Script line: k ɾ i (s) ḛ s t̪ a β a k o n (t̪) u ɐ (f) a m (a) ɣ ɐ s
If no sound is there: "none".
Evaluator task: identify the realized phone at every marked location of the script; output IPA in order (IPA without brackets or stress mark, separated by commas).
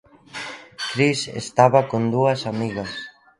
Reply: s, d̪, s, i